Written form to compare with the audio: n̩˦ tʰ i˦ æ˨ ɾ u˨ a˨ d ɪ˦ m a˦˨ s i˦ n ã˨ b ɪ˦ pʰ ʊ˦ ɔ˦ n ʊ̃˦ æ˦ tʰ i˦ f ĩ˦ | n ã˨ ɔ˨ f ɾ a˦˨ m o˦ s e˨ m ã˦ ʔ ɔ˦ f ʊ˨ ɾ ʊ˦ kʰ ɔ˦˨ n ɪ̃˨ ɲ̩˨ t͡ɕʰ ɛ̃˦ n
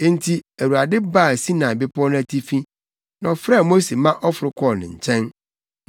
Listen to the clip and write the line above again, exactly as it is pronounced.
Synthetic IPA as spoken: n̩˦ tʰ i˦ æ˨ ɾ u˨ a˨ d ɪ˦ b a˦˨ s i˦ n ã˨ b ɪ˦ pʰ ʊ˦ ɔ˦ n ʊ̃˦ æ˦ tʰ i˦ f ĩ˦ | n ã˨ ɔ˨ f ɾ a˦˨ m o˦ s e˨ m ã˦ ʔ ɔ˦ f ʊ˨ ɾ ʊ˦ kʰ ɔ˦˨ n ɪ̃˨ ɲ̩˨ t͡ɕʰ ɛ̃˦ n